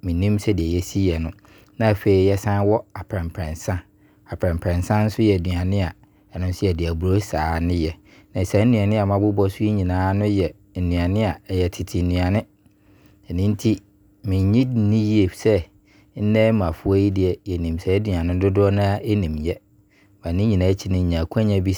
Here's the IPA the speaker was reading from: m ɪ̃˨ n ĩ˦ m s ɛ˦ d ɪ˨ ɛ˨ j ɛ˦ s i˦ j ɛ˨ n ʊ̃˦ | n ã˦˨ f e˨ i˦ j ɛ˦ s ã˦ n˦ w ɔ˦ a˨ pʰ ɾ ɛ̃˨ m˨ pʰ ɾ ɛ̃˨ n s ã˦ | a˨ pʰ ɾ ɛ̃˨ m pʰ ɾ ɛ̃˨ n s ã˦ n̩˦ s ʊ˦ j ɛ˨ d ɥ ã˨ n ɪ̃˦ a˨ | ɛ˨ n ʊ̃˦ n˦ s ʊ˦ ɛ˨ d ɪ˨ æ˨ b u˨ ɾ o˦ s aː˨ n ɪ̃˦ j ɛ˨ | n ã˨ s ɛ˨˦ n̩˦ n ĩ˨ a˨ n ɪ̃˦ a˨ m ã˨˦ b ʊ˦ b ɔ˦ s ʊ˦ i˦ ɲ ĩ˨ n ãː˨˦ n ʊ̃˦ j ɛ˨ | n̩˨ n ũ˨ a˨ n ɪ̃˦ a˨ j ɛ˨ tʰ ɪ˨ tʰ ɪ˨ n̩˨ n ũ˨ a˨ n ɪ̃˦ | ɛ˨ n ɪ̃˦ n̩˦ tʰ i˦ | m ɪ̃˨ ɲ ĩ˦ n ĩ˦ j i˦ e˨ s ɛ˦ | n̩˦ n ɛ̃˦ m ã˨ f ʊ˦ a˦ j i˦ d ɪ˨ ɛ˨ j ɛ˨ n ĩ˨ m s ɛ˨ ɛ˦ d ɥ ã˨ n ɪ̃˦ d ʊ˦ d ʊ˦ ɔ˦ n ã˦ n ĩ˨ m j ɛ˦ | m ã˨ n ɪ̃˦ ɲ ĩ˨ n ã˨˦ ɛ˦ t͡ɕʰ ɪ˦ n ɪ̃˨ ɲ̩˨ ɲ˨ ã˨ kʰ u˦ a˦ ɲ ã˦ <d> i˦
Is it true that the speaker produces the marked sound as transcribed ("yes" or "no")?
no